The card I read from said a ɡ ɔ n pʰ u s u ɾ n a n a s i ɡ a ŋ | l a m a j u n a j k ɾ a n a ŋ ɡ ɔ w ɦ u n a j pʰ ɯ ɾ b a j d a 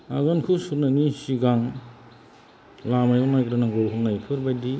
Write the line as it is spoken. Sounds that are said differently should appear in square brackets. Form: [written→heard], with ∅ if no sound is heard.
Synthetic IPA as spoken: a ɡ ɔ n [pʰ→kʰ] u s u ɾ n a n [a→i] s i ɡ a ŋ | l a m a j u n a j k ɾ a n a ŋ ɡ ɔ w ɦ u n a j [pʰ→kʰ] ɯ ɾ b a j d [a→i]